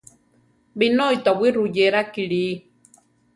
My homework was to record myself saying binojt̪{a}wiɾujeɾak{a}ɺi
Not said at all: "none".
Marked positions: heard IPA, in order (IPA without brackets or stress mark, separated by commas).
a, i